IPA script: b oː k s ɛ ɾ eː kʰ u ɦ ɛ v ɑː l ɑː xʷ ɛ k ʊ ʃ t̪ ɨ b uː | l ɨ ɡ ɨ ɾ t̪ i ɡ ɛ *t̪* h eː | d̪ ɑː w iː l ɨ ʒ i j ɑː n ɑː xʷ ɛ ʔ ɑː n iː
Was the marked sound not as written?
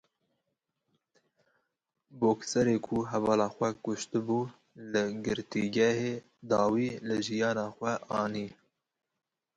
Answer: yes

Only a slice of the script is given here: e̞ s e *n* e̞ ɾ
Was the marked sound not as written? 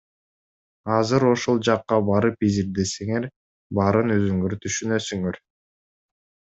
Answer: yes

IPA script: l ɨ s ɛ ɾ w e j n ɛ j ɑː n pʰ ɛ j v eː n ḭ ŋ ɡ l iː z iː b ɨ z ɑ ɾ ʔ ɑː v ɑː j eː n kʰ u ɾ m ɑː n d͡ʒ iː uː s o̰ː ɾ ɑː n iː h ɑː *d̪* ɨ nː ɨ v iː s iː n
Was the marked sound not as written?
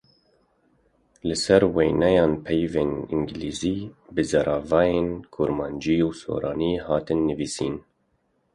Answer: yes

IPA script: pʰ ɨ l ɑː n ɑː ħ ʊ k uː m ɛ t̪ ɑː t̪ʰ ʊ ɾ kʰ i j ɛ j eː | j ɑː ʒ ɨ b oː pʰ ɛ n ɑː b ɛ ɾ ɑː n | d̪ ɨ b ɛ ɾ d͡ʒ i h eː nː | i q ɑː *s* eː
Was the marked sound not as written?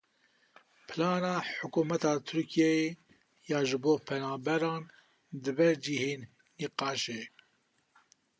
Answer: yes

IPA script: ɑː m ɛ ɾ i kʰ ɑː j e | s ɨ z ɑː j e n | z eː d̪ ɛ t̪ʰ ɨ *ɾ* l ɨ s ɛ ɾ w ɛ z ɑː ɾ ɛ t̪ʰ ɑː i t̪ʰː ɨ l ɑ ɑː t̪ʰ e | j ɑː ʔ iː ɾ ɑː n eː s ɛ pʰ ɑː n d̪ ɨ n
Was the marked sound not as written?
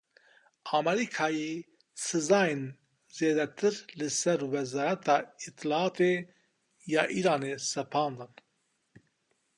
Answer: no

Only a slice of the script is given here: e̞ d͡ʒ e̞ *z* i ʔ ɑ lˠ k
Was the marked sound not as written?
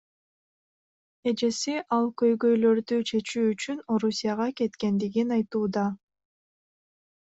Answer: yes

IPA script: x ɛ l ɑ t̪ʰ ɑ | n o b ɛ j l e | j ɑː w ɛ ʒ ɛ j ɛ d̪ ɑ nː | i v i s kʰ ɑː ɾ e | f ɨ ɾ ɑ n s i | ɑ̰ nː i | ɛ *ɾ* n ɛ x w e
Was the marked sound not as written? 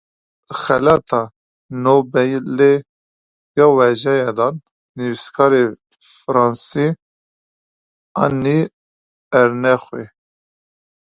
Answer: no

